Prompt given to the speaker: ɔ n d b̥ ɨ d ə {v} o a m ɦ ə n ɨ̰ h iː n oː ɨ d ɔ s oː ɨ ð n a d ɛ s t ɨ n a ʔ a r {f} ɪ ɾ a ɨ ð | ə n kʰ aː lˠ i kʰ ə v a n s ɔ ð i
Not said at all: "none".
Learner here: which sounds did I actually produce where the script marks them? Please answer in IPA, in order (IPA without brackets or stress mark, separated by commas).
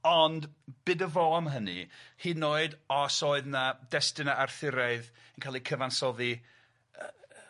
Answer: v, θ